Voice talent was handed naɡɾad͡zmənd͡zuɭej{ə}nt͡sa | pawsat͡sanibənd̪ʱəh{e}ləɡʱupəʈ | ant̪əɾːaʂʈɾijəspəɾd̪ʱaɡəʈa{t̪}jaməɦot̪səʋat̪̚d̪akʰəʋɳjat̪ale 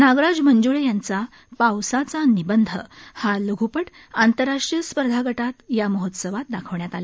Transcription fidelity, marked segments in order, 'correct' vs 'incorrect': incorrect: a, incorrect: a, correct

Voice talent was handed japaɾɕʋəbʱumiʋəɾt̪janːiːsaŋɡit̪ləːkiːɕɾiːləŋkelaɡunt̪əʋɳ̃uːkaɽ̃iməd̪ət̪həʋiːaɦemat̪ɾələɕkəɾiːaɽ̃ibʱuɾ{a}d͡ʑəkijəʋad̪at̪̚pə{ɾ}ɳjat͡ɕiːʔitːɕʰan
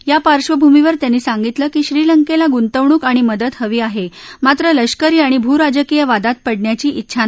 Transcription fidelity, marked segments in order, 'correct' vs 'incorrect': correct, incorrect: ɽ

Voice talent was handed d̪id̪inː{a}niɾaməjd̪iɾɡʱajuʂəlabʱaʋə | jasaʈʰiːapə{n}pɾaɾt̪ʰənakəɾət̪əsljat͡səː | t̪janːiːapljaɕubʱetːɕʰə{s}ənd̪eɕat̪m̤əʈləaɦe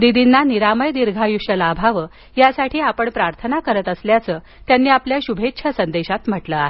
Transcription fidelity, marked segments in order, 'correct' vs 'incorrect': correct, incorrect: ɳ, correct

